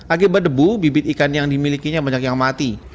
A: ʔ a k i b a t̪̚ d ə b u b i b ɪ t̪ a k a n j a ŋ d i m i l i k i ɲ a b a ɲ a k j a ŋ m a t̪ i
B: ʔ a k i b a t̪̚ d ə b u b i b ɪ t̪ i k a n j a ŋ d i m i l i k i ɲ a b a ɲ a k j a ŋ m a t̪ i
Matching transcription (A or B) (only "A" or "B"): B